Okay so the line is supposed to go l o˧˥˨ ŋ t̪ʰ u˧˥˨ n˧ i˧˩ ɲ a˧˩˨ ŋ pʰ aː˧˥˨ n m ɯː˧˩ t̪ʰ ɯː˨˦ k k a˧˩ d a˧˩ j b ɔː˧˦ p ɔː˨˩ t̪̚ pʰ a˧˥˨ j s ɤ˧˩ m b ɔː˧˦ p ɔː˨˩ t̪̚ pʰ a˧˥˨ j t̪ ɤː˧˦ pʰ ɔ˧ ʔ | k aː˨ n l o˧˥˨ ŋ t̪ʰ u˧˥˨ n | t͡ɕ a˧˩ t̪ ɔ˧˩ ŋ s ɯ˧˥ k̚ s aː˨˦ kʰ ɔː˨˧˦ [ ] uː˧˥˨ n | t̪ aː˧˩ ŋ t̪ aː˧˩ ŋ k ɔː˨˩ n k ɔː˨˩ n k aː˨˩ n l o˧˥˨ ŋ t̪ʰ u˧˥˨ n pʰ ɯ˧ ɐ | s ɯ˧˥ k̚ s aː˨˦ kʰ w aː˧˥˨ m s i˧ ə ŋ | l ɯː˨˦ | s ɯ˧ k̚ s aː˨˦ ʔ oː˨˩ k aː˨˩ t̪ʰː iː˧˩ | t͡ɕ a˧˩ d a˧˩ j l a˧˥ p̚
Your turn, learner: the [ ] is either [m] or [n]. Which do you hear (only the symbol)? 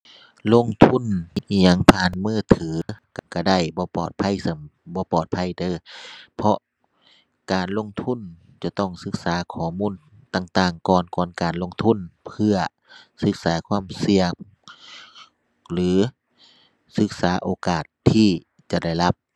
m